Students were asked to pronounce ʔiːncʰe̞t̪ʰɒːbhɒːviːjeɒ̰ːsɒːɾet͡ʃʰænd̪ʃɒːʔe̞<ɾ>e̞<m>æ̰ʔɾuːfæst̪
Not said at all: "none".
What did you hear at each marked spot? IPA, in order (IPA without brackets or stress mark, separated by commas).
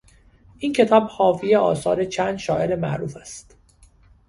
ɾ, m